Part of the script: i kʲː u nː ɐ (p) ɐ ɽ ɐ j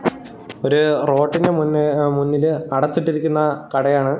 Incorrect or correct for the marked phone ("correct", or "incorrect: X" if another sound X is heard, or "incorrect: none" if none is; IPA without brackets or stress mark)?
incorrect: k